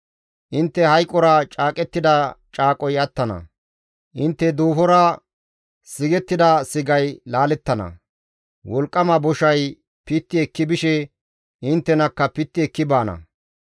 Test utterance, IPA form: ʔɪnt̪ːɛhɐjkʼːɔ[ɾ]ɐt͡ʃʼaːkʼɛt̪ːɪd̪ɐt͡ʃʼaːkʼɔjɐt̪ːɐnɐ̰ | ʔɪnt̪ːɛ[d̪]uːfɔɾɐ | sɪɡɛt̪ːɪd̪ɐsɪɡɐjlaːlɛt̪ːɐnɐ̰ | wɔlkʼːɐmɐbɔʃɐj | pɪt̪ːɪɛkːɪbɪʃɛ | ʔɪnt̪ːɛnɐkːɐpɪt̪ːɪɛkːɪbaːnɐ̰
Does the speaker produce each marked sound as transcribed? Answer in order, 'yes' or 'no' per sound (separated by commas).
yes, yes